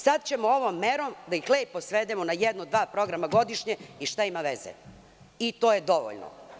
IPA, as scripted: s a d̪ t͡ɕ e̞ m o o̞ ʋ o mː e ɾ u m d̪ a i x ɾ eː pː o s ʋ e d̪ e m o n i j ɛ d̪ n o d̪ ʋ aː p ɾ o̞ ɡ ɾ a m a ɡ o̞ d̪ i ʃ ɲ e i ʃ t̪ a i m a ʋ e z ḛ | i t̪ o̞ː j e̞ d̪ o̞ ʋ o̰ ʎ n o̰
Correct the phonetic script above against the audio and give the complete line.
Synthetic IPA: s a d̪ t͡ɕ e̞ m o o̞ ʋ o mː e ɾ o m d̪ a i x l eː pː o s ʋ e d̪ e m o n a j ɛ d̪ n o d̪ ʋ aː p ɾ o̞ ɡ ɾ a m a ɡ o̞ d̪ i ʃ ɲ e i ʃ t̪ a i m a ʋ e z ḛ | i t̪ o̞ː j e̞ d̪ o̞ ʋ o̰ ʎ n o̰